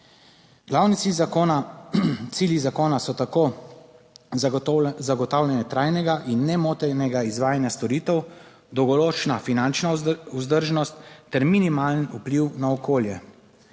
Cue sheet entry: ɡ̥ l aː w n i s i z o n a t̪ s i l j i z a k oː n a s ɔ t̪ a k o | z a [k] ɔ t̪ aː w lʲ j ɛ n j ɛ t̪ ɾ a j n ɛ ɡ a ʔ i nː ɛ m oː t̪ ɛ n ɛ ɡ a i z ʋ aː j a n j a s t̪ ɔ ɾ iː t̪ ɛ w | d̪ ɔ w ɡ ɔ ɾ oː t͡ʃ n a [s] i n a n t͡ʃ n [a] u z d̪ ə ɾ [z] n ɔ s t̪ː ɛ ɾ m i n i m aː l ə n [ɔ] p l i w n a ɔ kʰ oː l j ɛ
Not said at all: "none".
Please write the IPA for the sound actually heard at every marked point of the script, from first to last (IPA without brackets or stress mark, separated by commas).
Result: ɡ, f, a, ʒ, u